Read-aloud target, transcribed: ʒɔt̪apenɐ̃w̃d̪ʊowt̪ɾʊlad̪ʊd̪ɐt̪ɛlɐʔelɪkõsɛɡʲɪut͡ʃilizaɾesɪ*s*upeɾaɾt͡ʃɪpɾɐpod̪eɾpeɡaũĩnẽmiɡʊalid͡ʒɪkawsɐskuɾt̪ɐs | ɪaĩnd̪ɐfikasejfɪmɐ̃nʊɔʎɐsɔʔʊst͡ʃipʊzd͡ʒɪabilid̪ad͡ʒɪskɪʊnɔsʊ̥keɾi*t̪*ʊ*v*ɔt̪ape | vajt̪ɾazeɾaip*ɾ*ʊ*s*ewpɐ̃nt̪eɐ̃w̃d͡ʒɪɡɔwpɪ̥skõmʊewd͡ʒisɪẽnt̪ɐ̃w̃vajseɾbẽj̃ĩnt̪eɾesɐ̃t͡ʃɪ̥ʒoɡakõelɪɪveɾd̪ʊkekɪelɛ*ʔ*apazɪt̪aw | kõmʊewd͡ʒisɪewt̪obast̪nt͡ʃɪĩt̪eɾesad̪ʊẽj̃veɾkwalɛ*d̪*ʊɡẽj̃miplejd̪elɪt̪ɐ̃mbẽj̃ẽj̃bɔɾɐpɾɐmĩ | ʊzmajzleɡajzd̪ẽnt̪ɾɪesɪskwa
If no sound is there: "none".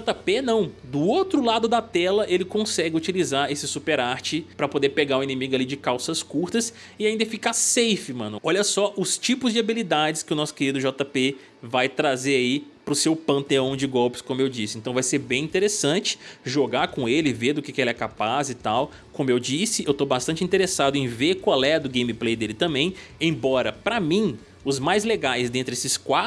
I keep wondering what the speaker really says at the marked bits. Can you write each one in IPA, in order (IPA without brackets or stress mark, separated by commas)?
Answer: s, d̪, ʒ, ɾ, s, k, d̪